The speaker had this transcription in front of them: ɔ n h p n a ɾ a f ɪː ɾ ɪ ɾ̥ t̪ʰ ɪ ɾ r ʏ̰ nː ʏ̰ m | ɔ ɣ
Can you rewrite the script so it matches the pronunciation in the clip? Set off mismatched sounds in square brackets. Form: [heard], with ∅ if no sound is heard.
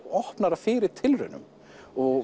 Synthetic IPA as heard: ɔ [∅] h p n a ɾ a f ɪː ɾ ɪ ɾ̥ t̪ʰ ɪ [l] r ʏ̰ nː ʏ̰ m | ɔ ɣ